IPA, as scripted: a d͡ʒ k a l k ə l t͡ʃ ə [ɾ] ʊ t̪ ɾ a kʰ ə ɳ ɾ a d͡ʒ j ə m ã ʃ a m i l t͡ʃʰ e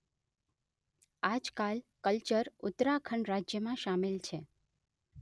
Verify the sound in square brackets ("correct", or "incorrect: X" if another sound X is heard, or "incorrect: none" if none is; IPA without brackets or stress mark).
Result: correct